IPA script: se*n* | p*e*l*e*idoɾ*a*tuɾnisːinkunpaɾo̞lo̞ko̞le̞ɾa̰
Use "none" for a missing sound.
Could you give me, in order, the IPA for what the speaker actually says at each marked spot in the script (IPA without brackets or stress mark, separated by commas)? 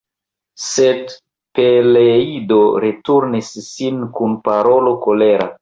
d, e, e, e